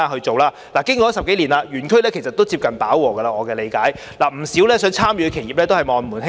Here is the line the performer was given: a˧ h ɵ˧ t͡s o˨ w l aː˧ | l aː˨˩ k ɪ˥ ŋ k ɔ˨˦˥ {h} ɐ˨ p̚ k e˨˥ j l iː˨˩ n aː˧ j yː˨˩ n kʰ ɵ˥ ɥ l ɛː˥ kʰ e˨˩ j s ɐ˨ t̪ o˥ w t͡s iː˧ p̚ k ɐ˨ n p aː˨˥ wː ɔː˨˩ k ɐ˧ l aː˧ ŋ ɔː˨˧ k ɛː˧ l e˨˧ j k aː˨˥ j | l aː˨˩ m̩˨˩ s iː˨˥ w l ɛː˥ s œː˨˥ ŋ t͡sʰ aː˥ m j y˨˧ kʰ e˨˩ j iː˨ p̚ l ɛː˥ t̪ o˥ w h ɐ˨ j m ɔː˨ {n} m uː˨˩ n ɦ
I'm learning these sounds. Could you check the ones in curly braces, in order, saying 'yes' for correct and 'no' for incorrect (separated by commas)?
no, yes